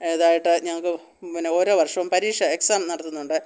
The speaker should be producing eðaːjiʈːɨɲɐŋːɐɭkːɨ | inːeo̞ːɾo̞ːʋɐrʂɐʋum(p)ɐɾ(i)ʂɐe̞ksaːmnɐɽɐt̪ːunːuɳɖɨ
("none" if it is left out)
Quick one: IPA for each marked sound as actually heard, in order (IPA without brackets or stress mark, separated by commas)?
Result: p, iː